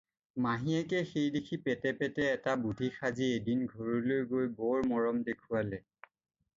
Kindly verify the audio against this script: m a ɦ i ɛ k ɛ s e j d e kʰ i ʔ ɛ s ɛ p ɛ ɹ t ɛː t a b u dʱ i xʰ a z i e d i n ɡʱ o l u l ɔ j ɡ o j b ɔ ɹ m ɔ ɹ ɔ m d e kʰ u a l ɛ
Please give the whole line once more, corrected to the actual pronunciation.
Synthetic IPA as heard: m a ɦ i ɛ k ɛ x e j d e kʰ i p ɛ t ɛ p ɛ t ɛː t a b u dʱ i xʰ a z i e d i n ɡʱ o ɹ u l o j ɡ o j b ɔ ɹ m ɔ ɹ ɔ m d e kʰ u a l ɛ